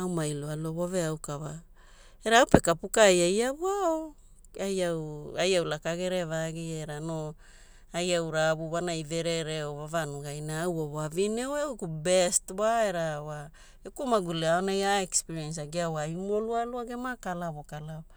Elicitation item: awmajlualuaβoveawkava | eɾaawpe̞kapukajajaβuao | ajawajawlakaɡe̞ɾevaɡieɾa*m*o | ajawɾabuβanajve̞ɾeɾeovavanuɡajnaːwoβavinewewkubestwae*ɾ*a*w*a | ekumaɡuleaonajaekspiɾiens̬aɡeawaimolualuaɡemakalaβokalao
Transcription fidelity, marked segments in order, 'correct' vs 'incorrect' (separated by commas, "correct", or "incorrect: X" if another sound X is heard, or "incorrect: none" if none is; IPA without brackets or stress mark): incorrect: n, correct, correct